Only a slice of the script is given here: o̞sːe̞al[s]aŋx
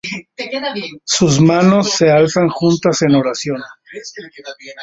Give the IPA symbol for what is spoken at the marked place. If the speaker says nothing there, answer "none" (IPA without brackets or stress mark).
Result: s